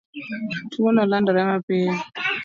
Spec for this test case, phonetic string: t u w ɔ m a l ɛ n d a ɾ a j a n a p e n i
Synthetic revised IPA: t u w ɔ n a l a n d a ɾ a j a m a p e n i